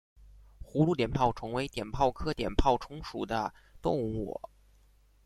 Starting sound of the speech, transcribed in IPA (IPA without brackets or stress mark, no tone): x